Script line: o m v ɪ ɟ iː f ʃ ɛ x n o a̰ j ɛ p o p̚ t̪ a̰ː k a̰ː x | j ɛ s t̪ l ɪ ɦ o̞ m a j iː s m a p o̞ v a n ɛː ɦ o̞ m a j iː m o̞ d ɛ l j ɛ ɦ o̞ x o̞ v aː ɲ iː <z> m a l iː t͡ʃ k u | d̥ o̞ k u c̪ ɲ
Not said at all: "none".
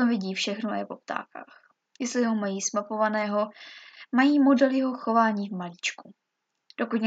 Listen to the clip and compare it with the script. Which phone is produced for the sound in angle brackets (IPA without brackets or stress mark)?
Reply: v